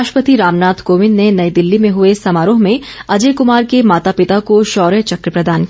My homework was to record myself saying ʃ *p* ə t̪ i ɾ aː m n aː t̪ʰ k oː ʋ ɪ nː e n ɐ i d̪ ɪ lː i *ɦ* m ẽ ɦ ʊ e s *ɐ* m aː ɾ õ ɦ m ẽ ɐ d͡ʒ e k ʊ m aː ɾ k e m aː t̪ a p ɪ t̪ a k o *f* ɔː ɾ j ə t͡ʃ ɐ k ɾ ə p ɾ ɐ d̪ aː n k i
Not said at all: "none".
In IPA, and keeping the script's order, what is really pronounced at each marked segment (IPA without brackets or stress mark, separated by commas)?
p, none, ɐ, ʃ